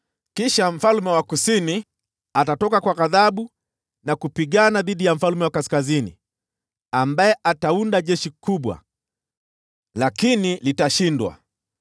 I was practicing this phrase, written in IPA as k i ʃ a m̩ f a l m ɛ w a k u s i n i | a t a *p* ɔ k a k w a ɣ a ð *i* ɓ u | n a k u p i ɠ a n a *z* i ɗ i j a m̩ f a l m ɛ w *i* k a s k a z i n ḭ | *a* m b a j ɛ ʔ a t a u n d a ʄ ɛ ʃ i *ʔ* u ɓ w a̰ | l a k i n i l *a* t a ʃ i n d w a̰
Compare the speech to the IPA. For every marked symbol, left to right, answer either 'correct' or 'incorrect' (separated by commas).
incorrect, incorrect, incorrect, incorrect, correct, incorrect, incorrect